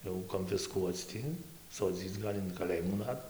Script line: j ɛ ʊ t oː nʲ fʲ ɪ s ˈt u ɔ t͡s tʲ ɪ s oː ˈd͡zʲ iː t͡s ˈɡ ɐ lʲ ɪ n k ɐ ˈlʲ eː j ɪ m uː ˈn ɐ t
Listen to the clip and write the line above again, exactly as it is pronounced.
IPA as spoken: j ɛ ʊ k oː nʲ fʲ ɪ s ˈk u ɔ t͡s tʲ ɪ s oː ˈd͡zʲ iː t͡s ˈɡ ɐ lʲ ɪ n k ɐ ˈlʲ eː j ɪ m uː ˈn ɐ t